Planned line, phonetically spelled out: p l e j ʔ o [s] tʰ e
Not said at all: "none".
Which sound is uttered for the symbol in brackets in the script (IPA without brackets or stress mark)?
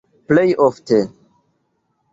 f